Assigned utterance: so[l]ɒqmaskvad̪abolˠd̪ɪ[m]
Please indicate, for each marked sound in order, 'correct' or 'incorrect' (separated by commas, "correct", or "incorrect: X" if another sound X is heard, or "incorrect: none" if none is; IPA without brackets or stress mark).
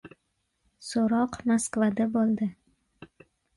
incorrect: ɾ, incorrect: none